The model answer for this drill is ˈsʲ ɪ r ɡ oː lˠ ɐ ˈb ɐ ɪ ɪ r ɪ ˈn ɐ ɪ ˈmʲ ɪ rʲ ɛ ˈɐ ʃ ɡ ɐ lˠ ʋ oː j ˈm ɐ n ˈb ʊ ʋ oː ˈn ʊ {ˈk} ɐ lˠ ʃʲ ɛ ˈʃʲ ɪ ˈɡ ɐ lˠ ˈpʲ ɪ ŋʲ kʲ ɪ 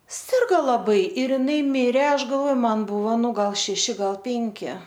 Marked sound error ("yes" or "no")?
yes